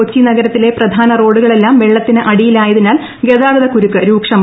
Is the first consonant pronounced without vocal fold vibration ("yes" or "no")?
yes